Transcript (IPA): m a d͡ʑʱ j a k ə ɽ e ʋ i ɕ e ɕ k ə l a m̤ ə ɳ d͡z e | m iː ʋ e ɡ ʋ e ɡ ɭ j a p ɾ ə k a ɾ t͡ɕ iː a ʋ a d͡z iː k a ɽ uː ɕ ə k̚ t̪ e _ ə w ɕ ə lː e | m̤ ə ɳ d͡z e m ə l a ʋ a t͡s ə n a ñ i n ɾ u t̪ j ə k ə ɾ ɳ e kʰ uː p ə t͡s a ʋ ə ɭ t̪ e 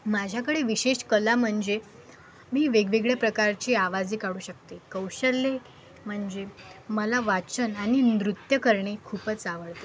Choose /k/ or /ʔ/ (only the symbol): k